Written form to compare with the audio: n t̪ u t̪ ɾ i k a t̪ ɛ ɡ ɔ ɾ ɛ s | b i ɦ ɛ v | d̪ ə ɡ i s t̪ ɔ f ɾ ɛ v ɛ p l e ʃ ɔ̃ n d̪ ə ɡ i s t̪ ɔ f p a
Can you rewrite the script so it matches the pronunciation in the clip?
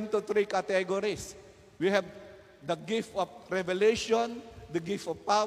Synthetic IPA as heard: n t̪ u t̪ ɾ i k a t̪ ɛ ɡ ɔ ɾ i s | w i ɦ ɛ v | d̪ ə ɡ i f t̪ ɔ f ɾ ɛ v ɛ l e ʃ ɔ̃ n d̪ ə ɡ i f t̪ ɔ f p a